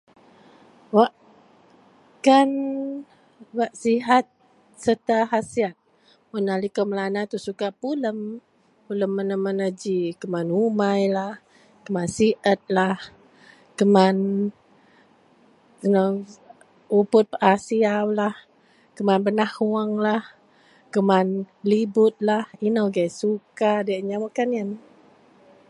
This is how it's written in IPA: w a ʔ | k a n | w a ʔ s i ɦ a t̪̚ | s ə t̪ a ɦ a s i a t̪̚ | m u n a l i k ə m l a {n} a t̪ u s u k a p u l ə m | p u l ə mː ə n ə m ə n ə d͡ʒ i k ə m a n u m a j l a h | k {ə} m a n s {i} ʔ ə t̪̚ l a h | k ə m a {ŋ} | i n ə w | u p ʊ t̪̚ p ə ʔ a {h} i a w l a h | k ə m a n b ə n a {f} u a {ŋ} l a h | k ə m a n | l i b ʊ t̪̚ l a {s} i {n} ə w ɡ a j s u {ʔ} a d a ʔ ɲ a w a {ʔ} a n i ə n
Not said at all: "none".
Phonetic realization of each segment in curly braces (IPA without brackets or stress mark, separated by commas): n, ə, i, n, s, h, ŋ, h, n, k, k